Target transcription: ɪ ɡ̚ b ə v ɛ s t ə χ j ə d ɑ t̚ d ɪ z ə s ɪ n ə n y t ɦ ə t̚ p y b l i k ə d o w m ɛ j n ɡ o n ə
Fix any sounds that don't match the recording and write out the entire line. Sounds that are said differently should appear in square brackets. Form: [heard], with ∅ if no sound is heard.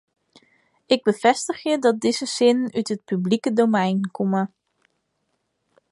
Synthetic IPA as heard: ɪ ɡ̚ b ə v ɛ s t ə χ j ə d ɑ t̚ d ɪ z ə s ɪ n ə n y t ɦ ə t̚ p y b l i k ə d o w m ɛ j n [k] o [m] ə